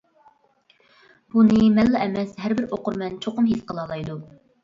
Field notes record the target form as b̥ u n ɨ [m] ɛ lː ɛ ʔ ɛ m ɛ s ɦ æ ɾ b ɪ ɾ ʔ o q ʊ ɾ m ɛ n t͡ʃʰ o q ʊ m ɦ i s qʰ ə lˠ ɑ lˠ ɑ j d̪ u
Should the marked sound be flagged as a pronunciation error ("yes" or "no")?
no